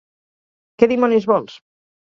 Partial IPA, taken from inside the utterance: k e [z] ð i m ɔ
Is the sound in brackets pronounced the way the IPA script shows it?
no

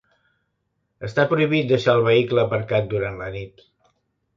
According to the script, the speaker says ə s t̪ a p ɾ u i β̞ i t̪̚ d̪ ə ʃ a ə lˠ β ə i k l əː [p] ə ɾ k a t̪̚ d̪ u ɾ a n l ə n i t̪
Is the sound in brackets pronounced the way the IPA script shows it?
yes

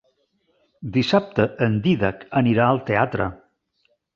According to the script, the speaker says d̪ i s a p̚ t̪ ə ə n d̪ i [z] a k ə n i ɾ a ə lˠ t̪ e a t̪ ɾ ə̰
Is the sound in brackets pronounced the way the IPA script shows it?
no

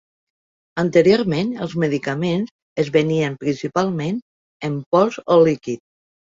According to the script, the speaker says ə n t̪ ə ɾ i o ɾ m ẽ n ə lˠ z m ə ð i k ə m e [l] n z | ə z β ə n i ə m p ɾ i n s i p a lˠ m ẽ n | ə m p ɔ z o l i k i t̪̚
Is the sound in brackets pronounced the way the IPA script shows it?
no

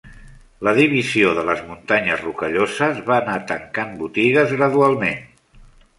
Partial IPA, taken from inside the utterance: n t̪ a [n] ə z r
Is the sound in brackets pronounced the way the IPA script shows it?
no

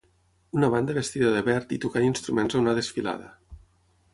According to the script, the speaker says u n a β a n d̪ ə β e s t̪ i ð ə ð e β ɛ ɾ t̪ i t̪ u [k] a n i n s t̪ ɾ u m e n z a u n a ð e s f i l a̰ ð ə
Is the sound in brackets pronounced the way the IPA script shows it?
yes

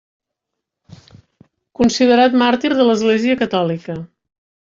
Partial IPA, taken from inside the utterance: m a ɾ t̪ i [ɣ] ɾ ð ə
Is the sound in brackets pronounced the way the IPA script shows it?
no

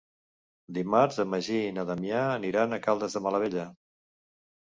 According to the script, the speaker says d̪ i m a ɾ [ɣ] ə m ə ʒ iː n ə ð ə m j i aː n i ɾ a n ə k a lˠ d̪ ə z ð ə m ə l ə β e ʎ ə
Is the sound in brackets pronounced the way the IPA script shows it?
no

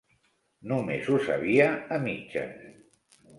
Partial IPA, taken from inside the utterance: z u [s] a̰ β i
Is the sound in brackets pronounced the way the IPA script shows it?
yes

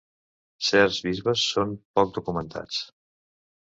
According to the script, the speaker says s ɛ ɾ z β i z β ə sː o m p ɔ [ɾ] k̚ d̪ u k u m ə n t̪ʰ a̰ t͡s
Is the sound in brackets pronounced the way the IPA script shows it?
no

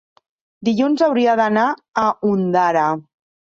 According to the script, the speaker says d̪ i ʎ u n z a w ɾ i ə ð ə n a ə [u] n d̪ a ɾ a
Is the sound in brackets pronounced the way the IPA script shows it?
yes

